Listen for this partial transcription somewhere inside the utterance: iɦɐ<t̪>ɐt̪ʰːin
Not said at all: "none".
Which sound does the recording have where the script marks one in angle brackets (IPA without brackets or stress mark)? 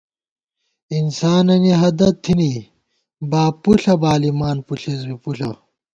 d̪